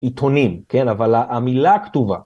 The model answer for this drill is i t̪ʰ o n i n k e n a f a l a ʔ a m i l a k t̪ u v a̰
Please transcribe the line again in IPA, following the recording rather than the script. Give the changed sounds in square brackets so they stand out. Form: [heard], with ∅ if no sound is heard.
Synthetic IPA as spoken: i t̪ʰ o n i [m] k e n a [v] a l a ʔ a m i l a k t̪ u v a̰